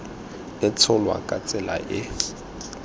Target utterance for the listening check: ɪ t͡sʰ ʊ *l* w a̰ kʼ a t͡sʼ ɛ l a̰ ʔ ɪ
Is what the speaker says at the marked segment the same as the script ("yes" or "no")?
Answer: yes